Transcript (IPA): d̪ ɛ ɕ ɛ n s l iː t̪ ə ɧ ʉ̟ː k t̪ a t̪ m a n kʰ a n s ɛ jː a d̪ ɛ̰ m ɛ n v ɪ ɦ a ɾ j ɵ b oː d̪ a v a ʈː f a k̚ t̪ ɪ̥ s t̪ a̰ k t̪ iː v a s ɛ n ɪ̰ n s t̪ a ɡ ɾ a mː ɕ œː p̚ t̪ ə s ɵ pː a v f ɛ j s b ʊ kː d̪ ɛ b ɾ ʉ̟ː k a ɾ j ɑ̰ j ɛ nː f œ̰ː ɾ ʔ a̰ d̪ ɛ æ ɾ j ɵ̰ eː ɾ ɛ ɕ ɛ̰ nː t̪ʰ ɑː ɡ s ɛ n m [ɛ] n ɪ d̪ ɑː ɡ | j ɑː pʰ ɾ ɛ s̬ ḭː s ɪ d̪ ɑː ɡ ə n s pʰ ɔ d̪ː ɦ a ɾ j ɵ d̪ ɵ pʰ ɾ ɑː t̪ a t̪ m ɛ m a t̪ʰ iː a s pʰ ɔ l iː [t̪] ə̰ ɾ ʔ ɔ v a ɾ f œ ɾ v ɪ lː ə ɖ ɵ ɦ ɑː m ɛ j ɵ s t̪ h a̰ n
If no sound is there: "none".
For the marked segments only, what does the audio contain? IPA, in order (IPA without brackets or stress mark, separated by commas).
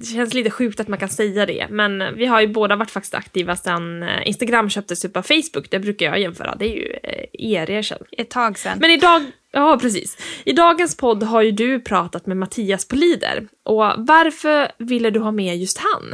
ɛ, d̪